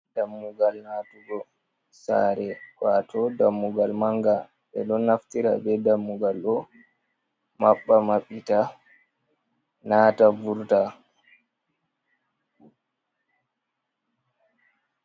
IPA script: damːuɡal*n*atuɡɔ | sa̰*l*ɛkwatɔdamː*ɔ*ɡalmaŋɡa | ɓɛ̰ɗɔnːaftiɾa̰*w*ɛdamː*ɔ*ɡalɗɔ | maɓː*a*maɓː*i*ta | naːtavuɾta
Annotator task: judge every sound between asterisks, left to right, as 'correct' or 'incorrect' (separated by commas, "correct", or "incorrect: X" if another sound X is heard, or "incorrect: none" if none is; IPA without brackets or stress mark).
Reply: correct, incorrect: ɾ, incorrect: u, incorrect: b, incorrect: u, correct, correct